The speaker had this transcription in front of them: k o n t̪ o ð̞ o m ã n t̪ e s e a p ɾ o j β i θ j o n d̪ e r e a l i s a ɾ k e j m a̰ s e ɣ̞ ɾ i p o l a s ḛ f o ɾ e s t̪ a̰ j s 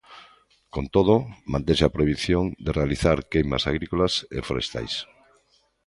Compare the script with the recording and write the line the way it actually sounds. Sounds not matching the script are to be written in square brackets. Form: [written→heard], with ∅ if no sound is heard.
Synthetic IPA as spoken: k o n t̪ o ð̞ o m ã n t̪ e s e a p ɾ o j β i θ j o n d̪ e r e a l i [s→θ] a ɾ k e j m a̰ s [e→a] ɣ̞ ɾ i [p→k] o l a s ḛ f o ɾ e s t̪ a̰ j s